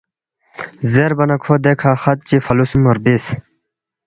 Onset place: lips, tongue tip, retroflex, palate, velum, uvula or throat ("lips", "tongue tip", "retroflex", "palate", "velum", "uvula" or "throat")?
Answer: tongue tip